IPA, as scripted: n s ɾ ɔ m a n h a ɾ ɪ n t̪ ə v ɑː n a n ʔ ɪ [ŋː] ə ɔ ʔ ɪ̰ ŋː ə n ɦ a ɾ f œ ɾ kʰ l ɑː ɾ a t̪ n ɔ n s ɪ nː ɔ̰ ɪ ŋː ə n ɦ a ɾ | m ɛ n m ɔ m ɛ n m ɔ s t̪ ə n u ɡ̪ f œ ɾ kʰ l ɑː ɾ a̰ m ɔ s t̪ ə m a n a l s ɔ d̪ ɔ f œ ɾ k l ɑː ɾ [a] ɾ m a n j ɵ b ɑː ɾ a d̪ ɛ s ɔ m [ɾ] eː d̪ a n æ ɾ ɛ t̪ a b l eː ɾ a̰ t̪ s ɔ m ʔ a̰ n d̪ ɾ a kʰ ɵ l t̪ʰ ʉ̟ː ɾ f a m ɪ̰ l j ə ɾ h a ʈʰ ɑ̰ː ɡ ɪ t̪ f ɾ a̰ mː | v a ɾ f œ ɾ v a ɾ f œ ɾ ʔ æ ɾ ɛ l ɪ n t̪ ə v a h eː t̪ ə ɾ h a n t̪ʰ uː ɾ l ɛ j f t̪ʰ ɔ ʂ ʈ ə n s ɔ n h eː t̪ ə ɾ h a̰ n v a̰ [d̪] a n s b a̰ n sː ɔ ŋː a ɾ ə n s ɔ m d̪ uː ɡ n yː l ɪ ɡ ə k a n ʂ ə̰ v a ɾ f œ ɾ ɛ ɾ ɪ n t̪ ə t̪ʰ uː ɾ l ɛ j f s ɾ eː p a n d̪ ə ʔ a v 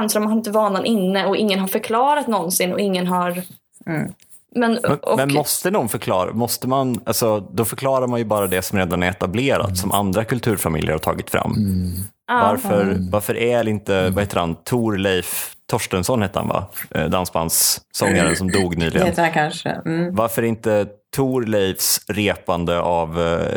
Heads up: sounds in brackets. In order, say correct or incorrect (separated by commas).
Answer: incorrect, correct, correct, correct